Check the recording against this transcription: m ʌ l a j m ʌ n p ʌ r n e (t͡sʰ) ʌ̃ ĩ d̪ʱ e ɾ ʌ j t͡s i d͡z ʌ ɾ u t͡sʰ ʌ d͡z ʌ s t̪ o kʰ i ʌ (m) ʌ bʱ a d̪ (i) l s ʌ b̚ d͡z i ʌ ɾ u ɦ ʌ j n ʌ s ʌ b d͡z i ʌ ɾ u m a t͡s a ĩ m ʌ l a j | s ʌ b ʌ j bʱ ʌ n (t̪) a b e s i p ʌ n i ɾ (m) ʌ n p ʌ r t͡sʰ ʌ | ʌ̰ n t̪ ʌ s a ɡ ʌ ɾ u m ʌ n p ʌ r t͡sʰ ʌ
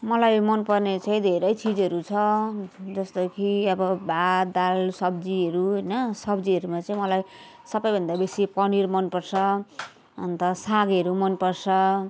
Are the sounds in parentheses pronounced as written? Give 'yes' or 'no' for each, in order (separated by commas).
no, no, no, no, yes